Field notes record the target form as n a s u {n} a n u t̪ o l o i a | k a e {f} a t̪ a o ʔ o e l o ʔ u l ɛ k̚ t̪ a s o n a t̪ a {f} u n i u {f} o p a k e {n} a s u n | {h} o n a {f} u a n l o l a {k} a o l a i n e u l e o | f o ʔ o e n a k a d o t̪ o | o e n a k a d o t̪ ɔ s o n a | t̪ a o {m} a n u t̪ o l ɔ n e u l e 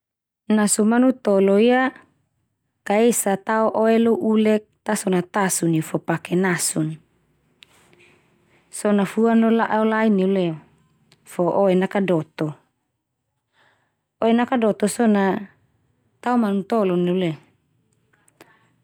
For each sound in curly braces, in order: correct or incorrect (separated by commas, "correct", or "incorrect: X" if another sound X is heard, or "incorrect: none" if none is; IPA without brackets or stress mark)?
incorrect: m, incorrect: s, incorrect: s, correct, correct, incorrect: s, correct, incorrect: ʔ, correct